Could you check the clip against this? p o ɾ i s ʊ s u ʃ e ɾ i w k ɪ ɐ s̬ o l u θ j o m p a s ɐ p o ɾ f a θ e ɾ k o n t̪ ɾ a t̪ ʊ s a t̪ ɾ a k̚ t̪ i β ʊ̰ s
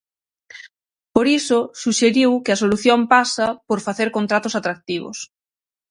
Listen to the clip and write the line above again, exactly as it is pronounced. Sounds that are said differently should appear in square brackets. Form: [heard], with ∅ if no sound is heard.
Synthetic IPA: p o ɾ i s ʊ s u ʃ e ɾ i w k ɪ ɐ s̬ o l u θ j o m p a s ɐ p o ɾ f a θ e ɾ k o n t̪ ɾ a t̪ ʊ s a t̪ ɾ a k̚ t̪ i β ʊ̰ s